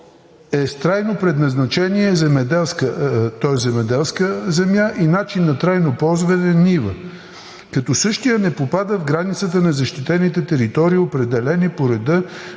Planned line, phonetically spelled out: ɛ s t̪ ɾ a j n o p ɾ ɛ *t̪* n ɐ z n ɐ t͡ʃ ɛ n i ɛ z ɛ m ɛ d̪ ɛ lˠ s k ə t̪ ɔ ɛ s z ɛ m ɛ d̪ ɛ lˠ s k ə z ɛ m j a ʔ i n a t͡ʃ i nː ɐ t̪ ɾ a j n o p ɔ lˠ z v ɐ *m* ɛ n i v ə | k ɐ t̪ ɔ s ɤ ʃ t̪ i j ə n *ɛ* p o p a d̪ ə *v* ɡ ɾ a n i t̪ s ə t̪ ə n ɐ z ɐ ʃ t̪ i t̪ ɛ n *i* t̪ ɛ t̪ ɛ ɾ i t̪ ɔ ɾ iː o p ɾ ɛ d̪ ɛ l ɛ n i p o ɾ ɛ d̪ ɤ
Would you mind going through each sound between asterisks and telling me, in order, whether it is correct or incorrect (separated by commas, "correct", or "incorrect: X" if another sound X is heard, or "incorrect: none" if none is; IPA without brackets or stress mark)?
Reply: incorrect: d̪, incorrect: n, correct, correct, correct